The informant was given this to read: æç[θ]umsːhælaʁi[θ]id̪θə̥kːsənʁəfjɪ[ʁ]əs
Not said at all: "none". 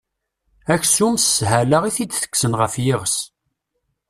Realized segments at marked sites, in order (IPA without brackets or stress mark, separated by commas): s, θ, ʁ